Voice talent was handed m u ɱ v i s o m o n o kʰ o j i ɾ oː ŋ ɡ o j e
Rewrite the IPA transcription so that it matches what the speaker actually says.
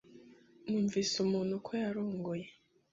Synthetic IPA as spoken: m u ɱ v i s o m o n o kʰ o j a ɾ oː ŋ ɡ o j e

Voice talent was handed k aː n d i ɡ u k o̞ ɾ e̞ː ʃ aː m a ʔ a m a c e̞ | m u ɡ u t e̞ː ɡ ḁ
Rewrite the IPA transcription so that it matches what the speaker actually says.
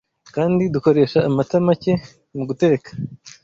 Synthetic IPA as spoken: k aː n d i d u k o̞ ɾ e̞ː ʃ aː m a t a m a c e̞ | m u ɡ u t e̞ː k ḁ

